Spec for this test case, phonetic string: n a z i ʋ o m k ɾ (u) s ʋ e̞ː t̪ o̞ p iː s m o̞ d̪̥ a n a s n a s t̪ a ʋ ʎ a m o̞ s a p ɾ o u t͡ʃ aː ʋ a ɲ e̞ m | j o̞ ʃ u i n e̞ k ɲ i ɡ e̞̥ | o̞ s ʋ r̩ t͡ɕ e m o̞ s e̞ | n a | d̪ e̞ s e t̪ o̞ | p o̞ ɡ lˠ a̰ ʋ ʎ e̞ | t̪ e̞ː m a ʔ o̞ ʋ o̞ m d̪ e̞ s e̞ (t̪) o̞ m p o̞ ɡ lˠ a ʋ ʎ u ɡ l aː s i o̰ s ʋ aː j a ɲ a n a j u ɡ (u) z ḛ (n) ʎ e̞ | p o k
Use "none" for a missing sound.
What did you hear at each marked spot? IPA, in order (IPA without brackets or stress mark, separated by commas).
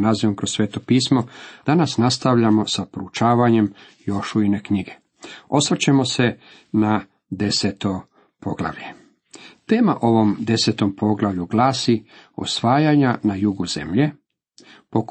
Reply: o, t̪, u, m